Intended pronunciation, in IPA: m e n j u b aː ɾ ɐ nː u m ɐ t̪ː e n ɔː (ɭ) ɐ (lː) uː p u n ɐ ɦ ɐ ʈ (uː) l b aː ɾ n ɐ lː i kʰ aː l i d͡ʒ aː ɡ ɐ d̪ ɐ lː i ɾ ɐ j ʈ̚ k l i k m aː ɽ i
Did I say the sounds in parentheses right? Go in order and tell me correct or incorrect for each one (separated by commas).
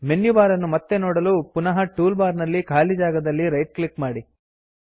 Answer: incorrect, incorrect, correct